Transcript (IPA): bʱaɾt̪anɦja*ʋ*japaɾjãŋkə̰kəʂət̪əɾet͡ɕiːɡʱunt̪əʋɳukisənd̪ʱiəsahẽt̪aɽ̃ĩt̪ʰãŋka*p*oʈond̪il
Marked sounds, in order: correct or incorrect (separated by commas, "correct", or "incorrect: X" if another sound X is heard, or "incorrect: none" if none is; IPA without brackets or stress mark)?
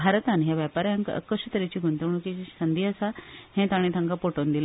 correct, correct